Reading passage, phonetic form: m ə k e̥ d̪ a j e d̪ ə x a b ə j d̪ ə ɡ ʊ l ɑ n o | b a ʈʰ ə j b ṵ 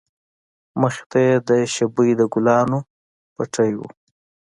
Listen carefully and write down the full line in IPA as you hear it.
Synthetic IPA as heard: m ə x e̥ t̪ a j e d̪ ə ʃ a b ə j d̪ ə ɡ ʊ l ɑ n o | p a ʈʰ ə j w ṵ